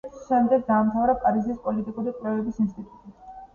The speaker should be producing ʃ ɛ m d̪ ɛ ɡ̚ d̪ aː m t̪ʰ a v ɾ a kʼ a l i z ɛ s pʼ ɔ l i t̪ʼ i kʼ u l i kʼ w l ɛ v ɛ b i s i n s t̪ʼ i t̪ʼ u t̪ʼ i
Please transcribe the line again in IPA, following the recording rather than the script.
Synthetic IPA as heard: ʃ ɛ m d̪ ɛ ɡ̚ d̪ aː m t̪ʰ a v ɾ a kʼ a ɾ i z i s pʼ ɔ l i t̪ʼ i kʼ u ɾ i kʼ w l ɛ v ɛ b i s i n s t̪ʼ i t̪ʼ u t̪ʼ i